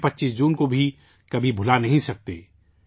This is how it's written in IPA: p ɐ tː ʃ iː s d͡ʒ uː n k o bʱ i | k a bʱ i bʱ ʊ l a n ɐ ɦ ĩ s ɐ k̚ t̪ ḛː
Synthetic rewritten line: p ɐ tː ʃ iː s d͡ʒ uː n k o bʱ i | k ɐ bʱ i bʱ ʊ l a n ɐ ɦ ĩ s ɐ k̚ t̪ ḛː

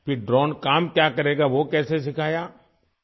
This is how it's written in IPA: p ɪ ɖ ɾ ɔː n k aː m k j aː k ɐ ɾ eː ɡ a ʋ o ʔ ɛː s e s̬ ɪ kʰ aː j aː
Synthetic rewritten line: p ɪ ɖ ɾ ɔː n k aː m k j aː k ɐ ɾ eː ɡ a ʋ o k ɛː s e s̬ ɪ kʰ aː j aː

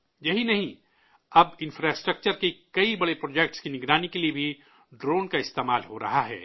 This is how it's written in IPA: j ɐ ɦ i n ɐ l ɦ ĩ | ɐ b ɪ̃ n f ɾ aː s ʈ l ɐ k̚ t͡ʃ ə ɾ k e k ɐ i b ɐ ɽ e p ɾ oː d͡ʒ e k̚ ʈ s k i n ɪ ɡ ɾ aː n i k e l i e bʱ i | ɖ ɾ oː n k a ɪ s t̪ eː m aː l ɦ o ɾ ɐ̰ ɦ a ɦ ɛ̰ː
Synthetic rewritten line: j ɐ ɦ i n ɐ ɦ ĩ | ɐ b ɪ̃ n f ɾ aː s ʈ ɾ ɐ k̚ t͡ʃ ə ɾ k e k ɐ i b ɐ ɽ e p ɾ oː d͡ʒ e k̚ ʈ s k i n ɪ ɡ ɾ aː n i k e l i e bʱ i | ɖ ɾ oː n k a ɪ s t̪ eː m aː l ɦ o ɾ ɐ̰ ɦ a ɦ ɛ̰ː

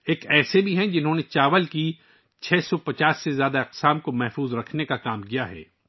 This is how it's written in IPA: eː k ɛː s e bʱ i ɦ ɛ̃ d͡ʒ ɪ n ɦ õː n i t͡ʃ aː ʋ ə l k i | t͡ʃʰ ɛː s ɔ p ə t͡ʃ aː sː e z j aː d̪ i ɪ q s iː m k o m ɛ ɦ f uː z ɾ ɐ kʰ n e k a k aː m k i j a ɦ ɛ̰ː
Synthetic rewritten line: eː k ɛː s e bʱ i ɦ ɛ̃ d͡ʒ ɪ n ɦ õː n e t͡ʃ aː ʋ ə l k i | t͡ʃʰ ɛː s ɔ p ɐ t͡ʃ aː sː e z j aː d̪ a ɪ q s aː m k o m ɛ ɦ f uː z ɾ ɐ kʰ n e k a k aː m k i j a ɦ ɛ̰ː

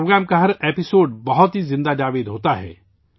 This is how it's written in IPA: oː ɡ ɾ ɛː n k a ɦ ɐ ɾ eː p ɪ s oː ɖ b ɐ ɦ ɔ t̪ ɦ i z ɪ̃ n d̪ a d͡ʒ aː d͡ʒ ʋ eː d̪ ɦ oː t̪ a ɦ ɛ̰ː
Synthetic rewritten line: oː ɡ ɾ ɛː m k a ɦ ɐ ɾ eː p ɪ s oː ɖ b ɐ ɦ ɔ t̪ ɦ i z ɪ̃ n d̪ a d͡ʒ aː ʋ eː d̪ ɦ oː t̪ a ɦ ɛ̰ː

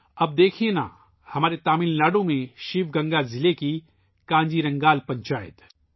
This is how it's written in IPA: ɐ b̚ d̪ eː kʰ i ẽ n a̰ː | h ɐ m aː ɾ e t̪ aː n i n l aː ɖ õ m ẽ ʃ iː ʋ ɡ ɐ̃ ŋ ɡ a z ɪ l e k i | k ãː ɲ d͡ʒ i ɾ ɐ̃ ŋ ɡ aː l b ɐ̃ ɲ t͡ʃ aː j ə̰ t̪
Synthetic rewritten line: ɐ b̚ d̪ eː kʰ i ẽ n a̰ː | h ɐ m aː ɾ e t̪ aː m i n l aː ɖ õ m ẽ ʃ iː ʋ ɡ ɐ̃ ŋ ɡ a z ɪ l e k i | k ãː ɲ d͡ʒ i ɾ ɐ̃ ŋ ɡ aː l p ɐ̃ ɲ t͡ʃ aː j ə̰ t̪

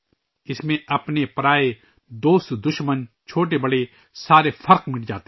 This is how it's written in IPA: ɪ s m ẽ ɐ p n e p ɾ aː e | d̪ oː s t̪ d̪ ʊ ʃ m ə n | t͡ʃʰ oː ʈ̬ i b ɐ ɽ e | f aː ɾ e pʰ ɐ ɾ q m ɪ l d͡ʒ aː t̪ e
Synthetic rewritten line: ɪ s m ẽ ɐ p n e p ɾ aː e | d̪ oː s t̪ d̪ ʊ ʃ m ə n | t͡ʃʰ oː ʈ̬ e b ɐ ɽ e | s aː ɾ e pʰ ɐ ɾ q m ɪ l d͡ʒ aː t̪ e

